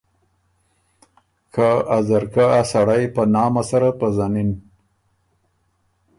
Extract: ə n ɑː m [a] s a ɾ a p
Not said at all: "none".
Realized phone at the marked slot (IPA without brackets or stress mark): a